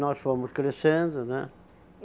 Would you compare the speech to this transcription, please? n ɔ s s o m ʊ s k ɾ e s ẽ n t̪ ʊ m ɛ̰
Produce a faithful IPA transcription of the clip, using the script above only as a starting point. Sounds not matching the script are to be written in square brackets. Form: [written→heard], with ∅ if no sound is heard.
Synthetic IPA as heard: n ɔ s [s→f] o m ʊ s k ɾ e s ẽ n [t̪→d̪] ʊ [m→n] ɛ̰